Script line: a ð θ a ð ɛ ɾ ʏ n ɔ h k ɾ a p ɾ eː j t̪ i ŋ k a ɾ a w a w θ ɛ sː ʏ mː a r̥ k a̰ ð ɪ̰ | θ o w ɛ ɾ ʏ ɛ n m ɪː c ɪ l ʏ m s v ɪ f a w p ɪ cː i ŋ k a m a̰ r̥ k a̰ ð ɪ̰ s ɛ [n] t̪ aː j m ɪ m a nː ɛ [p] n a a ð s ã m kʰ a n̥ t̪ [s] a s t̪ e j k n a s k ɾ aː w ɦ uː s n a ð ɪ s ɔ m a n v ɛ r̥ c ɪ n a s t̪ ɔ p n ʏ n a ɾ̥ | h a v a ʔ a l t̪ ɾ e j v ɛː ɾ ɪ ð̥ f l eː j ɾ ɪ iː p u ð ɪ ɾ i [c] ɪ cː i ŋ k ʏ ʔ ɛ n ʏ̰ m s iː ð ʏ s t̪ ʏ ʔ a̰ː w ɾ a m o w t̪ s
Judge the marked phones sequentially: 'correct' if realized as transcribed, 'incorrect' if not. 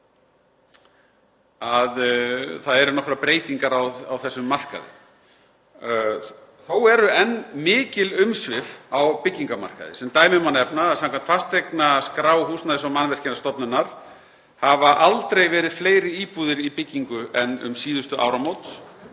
incorrect, correct, incorrect, incorrect

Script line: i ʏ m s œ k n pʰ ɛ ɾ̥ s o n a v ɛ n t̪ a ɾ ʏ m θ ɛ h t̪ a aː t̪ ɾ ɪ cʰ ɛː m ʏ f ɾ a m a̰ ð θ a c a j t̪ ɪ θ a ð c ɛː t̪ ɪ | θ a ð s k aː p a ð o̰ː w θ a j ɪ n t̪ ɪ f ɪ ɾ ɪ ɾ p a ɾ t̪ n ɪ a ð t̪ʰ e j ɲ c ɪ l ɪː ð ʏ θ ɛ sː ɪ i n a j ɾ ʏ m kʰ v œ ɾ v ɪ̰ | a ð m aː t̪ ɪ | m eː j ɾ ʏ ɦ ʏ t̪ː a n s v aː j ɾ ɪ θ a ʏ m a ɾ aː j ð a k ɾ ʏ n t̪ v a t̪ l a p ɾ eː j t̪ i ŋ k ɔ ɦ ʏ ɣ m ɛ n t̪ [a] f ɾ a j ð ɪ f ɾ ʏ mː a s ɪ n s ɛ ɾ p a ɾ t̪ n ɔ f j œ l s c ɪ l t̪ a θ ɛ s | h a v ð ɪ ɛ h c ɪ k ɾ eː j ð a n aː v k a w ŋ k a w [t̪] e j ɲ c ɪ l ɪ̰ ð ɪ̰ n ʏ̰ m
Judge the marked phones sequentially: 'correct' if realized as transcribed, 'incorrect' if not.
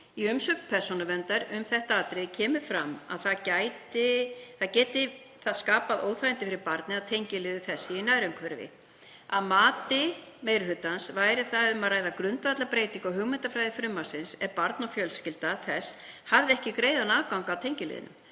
correct, incorrect

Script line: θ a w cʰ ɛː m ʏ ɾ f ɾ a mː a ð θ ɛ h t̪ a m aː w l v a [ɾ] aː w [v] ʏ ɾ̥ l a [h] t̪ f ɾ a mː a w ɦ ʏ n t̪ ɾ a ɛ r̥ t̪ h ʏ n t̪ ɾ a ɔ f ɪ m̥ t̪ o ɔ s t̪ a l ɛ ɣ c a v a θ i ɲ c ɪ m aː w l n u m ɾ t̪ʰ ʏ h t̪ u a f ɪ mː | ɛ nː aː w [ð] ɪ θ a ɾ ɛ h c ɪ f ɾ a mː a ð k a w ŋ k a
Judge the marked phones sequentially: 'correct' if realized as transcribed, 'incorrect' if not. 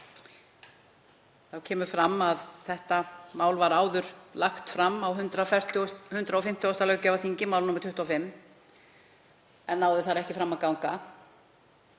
correct, incorrect, incorrect, correct

